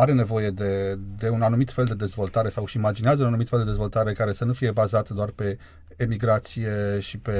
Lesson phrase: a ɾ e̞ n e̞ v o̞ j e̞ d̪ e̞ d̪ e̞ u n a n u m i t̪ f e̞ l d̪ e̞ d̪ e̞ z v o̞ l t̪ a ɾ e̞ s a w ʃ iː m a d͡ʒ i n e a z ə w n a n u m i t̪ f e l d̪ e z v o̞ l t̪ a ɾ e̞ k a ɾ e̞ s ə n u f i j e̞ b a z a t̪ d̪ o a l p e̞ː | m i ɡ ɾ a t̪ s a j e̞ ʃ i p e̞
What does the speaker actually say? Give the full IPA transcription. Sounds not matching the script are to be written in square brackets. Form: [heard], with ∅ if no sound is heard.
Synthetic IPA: a ɾ e̞ n e̞ v o̞ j e̞ d̪ e̞ d̪ e̞ u n a n u m i t̪ f e̞ l d̪ e̞ d̪ e̞ z v o̞ l t̪ a ɾ e̞ s a w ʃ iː m a d͡ʒ i n e a z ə [u] n a n u m i t̪ f e l d̪ e z v o̞ l t̪ a ɾ e̞ k a ɾ e̞ s ə n u f i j e̞ b a z a t̪ d̪ o a [r] p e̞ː | m i ɡ ɾ a t̪ s [i] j e̞ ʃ i p e̞